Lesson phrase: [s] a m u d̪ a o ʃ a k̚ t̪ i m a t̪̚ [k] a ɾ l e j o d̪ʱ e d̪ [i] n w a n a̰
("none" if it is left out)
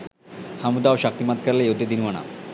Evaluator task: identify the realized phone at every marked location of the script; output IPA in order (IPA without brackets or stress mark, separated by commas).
h, k, i